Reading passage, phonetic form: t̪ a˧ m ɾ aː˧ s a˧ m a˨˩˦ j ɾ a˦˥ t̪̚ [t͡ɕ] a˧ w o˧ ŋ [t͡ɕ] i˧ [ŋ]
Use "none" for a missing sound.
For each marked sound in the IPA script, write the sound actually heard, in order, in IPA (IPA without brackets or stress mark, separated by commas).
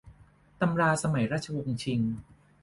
t͡ɕʰ, t͡ɕʰ, ŋ